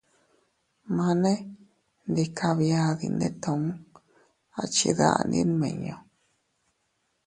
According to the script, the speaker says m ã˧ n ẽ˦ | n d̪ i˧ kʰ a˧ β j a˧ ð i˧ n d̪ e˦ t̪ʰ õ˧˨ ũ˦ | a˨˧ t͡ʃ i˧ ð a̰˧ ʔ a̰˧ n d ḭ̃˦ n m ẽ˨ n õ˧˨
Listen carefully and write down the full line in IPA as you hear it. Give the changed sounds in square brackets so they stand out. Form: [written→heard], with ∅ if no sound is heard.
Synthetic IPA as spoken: m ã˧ n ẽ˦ | n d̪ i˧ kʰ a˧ β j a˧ ð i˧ n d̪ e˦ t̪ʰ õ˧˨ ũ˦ | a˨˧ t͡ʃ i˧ ð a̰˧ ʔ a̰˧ n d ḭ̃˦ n m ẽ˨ [n→ɲ] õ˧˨